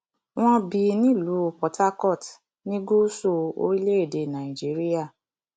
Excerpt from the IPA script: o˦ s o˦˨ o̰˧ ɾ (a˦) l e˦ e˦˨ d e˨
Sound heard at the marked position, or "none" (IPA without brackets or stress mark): i˦